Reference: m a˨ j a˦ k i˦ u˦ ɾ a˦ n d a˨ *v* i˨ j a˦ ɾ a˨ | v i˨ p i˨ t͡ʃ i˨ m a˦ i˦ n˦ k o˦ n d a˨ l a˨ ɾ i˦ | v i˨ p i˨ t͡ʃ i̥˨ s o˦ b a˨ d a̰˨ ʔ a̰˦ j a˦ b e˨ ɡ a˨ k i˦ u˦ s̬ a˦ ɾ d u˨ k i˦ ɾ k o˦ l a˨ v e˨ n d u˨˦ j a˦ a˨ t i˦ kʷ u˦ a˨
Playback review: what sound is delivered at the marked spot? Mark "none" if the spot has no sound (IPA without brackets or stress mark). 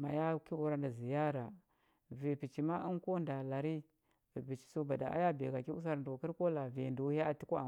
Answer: z